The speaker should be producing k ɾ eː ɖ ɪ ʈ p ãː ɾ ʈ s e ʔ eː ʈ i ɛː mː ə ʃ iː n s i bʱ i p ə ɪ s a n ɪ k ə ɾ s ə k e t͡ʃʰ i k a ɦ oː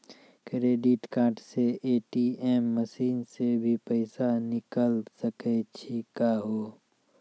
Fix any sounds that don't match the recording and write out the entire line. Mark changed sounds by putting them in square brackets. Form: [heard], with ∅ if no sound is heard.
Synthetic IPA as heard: k ɾ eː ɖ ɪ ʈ [k] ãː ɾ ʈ s e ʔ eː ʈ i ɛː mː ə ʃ iː n s [e] bʱ i p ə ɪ s a n ɪ k ə [l] s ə k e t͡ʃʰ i k a ɦ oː